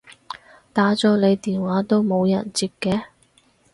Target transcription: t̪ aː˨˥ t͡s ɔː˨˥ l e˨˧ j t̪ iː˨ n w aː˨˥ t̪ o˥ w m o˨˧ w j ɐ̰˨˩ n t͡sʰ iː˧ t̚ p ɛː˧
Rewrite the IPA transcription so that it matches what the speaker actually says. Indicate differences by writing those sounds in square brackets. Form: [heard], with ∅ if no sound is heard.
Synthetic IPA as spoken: t̪ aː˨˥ t͡s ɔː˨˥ l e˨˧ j t̪ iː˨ n w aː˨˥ t̪ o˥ w m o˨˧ w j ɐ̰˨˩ n [t͡s] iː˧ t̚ [k] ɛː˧

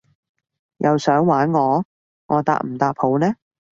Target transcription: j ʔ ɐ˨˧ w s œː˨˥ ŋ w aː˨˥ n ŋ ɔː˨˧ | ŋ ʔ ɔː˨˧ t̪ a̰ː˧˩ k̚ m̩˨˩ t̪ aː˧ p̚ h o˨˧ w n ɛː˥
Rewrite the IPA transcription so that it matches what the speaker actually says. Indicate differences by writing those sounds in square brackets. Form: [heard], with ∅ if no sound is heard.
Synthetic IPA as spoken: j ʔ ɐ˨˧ w s œː˨˥ ŋ w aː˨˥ n ŋ ɔː˨˧ | ŋ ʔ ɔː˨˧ t̪ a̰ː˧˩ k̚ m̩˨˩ t̪ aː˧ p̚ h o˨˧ w n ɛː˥

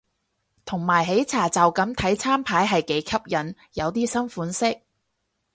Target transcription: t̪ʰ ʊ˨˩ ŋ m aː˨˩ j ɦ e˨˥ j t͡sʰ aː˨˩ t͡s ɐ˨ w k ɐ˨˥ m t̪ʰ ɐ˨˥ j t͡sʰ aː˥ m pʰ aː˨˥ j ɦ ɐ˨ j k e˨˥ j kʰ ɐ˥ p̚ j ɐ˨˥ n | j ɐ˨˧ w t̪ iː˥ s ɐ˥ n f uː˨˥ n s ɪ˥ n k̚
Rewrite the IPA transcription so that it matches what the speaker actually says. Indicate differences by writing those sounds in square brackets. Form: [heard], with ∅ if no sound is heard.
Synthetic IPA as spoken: t̪ʰ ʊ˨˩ ŋ m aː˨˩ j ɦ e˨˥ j t͡sʰ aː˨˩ t͡s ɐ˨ w k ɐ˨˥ m t̪ʰ ɐ˨˥ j t͡sʰ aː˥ m pʰ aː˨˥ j ɦ ɐ˨ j k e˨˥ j kʰ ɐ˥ p̚ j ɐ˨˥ n | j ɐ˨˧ w t̪ iː˥ s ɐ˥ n f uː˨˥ n s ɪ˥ [∅] k̚

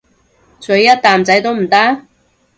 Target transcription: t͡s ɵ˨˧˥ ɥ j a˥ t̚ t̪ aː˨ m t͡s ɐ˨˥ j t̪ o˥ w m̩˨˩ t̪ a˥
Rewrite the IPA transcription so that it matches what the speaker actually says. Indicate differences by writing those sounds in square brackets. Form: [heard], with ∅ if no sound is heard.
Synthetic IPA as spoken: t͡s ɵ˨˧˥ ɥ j [ɐ˥] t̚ t̪ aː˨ m t͡s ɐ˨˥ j t̪ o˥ w m̩˨˩ t̪ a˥

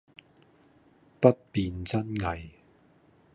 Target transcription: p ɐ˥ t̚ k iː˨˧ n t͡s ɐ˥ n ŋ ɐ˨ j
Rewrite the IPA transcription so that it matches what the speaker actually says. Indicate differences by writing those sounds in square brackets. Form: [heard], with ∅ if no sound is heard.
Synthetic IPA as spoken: p ɐ˥ t̚ [p] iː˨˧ n t͡s ɐ˥ n ŋ ɐ˨ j

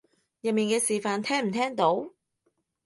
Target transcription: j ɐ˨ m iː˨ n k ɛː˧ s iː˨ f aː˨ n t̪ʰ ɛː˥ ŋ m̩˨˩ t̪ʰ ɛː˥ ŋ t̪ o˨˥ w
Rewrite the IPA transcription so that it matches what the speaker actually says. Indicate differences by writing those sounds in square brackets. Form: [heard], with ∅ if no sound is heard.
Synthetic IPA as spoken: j ɐ˨ m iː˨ n k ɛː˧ s iː˨ f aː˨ n t̪ʰ ɛː˥ ŋ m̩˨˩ t̪ʰ ɛː˥ ŋ t̪ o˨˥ w

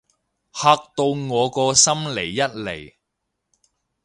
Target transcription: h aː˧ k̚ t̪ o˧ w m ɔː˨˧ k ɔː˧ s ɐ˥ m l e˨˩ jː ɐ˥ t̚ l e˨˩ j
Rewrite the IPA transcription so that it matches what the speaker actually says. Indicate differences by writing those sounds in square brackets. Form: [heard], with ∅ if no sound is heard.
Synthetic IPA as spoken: h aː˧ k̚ t̪ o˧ w [ŋ] ɔː˨˧ k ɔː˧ s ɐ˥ m l e˨˩ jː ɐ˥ t̚ l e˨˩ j

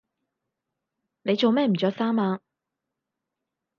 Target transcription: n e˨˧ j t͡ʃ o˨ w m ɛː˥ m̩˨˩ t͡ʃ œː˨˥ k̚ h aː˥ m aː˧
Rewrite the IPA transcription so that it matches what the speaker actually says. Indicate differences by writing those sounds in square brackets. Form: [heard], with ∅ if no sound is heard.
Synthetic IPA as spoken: n e˨˧ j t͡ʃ o˨ w m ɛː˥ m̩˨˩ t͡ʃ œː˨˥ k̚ [s] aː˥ m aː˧

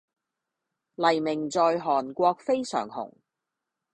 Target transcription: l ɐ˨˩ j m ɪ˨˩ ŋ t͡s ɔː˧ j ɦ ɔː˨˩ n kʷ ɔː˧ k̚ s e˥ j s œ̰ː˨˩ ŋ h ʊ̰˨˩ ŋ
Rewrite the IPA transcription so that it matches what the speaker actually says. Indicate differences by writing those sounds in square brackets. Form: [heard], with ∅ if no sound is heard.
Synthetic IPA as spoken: l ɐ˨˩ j m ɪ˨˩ ŋ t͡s ɔː˧ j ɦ ɔː˨˩ n kʷ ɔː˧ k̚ [f] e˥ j s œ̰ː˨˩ ŋ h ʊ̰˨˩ ŋ

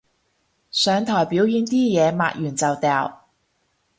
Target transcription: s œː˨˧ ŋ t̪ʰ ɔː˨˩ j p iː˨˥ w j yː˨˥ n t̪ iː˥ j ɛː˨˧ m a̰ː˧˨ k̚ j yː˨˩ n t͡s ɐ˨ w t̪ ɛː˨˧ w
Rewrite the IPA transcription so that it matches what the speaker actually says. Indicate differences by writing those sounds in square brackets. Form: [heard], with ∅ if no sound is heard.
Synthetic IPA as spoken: s œː˨˧ ŋ t̪ʰ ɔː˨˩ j p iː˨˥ w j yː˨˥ n t̪ iː˥ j ɛː˨˧ m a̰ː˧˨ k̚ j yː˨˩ n t͡s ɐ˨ w t̪ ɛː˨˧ w

